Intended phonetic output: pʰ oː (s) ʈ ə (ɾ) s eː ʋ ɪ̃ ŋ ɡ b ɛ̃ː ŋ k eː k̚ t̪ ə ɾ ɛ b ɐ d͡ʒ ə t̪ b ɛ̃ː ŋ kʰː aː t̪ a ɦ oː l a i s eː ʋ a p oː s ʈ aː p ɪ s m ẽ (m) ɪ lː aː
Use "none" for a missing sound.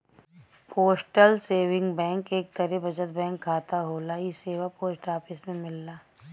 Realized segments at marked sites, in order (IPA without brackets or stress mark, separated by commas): s, l, m